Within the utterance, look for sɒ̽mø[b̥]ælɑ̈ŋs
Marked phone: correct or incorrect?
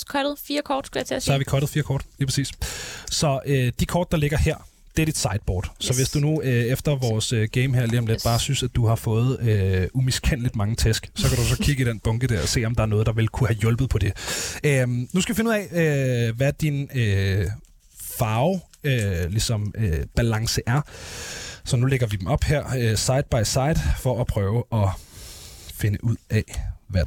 correct